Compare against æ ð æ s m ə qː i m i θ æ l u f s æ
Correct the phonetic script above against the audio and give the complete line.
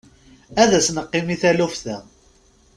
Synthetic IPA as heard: æ ð æ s n ə qː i m i θ æ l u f θ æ

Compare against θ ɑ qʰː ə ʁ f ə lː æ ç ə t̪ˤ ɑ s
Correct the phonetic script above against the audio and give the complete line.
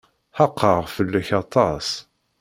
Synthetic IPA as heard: ħ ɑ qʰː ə ʁ f ə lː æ ç ɑ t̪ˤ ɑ s

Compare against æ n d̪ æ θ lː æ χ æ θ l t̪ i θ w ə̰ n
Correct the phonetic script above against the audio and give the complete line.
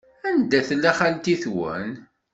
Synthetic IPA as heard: æ n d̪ æ θ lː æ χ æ l t̪ i θ w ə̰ n

